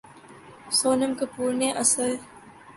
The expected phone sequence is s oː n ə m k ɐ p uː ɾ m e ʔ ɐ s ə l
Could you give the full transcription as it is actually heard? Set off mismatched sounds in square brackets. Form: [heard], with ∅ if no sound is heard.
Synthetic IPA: s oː n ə m k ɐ p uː ɾ [n] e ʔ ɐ s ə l